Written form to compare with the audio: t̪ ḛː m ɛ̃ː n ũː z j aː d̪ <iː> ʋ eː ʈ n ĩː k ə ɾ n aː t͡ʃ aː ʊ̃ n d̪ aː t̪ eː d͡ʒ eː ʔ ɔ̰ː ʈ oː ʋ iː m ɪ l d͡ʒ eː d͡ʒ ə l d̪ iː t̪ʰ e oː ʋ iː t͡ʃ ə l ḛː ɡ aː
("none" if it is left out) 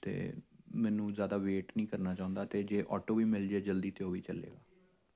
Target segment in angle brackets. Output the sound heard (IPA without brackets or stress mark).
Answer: aː